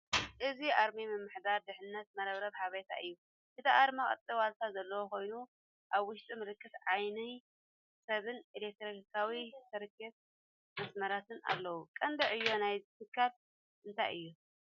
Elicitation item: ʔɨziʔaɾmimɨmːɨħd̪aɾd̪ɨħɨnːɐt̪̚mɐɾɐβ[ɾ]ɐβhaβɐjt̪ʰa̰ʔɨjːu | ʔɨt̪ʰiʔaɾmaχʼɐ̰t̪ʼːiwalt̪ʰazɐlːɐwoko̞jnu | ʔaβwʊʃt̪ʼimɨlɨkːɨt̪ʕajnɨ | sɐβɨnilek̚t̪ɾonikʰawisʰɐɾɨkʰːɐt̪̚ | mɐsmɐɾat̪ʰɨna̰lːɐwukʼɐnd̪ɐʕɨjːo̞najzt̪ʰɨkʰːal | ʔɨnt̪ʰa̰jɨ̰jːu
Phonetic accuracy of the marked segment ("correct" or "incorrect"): correct